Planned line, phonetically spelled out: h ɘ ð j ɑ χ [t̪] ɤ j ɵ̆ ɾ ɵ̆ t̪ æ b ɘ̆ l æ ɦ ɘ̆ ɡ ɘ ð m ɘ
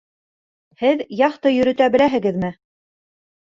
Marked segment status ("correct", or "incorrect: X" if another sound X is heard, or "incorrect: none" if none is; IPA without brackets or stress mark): correct